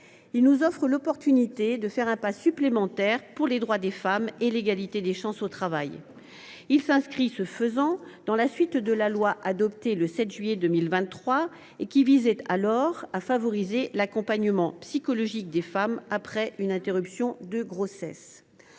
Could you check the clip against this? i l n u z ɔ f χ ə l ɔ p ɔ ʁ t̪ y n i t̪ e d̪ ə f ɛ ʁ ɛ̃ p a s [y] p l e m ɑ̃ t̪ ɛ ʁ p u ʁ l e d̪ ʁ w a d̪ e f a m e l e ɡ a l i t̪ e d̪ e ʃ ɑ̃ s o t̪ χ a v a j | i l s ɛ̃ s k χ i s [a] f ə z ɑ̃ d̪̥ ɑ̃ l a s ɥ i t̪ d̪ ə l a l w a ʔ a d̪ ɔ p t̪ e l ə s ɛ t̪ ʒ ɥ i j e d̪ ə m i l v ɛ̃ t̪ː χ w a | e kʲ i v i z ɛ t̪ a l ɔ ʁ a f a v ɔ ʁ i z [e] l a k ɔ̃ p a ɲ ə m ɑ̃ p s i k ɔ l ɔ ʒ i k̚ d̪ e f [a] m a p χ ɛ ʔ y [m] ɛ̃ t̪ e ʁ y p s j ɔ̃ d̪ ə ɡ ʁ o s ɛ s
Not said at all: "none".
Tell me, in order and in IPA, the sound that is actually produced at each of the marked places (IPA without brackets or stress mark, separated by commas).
y, ə, e, a, n